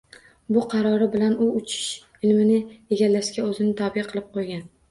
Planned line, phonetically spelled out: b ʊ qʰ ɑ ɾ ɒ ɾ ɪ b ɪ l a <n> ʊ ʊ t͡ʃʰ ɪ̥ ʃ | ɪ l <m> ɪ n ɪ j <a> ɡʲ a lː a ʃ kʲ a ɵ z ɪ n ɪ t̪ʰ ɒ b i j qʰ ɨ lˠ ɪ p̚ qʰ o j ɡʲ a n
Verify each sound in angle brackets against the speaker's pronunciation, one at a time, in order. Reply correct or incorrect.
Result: correct, correct, incorrect: e

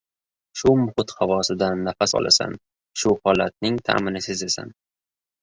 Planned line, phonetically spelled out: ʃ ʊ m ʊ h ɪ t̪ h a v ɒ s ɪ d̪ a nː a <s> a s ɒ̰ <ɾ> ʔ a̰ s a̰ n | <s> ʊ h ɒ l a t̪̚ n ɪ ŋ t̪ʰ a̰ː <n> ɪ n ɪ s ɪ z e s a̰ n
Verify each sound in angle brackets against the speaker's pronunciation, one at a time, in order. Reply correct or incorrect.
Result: incorrect: f, incorrect: l, incorrect: ʃ, incorrect: m

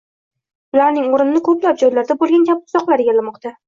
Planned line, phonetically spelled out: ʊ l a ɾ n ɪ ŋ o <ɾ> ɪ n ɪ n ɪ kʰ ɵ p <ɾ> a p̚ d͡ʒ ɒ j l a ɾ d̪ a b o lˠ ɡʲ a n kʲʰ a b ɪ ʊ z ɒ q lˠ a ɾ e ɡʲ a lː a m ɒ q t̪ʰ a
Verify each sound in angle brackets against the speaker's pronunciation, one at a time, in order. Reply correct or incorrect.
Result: correct, incorrect: l

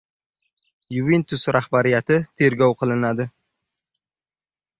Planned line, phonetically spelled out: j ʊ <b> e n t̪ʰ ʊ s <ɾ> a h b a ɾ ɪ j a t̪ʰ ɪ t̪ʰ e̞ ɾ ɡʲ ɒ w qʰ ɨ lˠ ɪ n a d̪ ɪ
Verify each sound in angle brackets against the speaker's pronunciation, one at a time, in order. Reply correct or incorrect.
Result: incorrect: v, correct

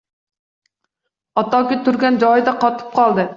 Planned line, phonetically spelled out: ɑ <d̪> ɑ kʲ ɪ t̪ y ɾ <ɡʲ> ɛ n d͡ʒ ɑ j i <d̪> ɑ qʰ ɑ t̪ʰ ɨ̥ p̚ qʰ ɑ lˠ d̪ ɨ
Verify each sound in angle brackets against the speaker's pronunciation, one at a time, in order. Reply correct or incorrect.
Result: incorrect: t̪, correct, correct

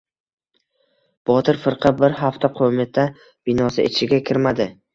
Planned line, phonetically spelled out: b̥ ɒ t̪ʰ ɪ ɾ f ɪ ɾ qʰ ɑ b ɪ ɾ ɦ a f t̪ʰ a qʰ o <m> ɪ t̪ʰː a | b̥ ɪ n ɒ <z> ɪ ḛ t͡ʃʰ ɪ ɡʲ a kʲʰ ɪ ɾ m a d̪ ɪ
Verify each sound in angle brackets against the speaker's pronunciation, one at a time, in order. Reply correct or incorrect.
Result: correct, incorrect: s

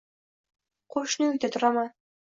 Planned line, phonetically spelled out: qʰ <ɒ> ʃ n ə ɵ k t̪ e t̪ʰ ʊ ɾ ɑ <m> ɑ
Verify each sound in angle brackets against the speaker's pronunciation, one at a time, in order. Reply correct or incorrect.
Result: incorrect: o, correct

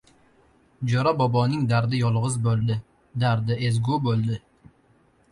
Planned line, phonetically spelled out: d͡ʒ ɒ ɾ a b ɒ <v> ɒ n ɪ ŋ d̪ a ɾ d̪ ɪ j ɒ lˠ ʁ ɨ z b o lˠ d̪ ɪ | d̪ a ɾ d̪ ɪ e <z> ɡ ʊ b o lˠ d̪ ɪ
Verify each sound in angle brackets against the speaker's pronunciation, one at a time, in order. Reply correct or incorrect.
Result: incorrect: b, correct

